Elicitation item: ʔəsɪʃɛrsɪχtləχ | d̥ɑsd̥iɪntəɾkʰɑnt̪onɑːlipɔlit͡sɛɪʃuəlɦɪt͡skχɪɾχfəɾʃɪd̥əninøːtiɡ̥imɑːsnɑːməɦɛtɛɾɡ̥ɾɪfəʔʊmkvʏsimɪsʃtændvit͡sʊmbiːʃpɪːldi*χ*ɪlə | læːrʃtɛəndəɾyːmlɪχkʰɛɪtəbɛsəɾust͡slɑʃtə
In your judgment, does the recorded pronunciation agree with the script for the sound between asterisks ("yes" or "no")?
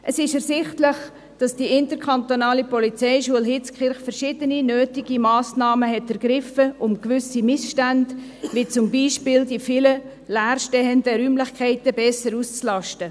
no